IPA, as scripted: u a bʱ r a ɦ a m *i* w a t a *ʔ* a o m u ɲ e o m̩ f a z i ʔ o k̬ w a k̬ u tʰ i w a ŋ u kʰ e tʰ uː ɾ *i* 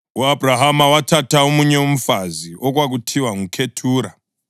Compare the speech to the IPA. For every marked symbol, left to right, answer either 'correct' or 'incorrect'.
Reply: incorrect: a, incorrect: t, incorrect: a

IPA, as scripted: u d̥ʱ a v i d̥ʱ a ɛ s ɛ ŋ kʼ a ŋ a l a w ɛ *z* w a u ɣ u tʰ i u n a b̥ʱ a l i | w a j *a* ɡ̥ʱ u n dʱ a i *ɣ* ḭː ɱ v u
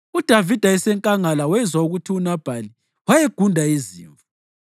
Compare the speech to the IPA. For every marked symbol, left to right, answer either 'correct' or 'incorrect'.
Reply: correct, incorrect: e, incorrect: z

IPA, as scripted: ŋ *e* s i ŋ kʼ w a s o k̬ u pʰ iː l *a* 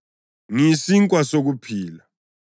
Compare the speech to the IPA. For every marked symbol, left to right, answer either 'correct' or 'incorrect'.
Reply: incorrect: i, correct

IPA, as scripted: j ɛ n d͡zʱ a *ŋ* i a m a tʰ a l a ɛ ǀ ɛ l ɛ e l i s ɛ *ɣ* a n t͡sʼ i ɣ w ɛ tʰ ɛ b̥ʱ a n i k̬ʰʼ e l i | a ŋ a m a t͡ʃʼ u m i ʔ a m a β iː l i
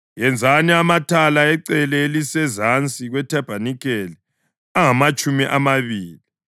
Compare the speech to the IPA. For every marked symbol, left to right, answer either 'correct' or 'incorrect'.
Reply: incorrect: n, incorrect: z

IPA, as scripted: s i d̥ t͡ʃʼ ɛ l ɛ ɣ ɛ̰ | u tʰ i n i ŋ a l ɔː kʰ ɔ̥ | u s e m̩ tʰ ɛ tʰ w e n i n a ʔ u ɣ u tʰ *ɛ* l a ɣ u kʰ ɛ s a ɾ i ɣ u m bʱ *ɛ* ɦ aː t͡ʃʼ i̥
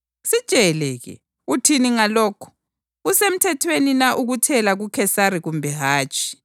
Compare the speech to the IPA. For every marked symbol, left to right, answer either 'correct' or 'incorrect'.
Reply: correct, correct

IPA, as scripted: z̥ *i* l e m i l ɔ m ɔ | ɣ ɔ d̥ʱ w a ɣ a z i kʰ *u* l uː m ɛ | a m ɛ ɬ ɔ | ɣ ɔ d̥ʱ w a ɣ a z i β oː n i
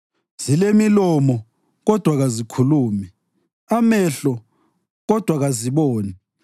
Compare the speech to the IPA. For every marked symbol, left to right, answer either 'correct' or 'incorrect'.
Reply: correct, correct

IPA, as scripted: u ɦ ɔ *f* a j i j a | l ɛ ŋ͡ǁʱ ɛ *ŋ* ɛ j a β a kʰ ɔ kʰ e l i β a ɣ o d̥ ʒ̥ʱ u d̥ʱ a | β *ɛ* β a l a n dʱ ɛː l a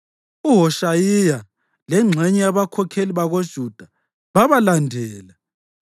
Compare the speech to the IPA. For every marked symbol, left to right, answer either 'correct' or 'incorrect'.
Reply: incorrect: ʃ, incorrect: ɲ, incorrect: a

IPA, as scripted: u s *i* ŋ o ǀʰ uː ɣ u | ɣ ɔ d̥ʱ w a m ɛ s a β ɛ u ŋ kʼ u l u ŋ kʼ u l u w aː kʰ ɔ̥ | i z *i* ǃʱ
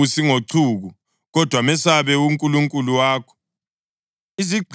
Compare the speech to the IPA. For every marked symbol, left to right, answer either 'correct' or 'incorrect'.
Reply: correct, correct

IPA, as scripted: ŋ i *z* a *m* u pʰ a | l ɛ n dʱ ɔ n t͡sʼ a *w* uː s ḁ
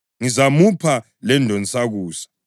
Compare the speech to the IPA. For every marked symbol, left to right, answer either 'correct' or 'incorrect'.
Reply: correct, correct, incorrect: ɣ

